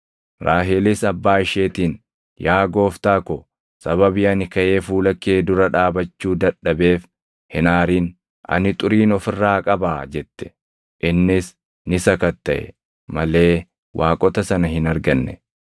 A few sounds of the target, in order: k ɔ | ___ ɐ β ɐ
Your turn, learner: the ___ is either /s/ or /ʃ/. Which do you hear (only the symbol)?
s